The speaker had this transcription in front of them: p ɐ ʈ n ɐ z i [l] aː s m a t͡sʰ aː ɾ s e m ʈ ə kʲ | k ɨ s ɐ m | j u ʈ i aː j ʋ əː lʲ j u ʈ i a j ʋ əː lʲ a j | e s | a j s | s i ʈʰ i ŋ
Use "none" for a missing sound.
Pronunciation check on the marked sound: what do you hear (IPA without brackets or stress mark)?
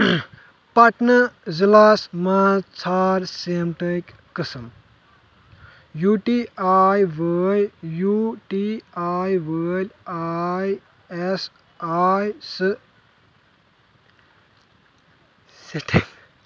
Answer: l